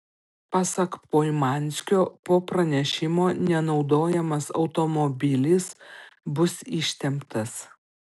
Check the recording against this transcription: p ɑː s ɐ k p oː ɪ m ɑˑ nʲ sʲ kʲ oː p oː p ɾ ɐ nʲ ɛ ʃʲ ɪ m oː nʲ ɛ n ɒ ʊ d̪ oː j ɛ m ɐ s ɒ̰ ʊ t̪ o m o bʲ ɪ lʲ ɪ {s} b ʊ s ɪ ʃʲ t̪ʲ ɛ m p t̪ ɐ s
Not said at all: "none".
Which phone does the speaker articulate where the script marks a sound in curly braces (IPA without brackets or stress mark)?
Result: s